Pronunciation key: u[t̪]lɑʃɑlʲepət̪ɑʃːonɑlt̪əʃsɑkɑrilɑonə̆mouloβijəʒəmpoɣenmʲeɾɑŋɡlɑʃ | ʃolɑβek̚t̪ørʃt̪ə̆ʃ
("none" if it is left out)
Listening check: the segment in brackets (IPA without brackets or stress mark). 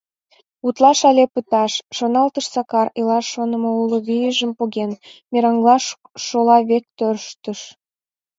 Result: t̪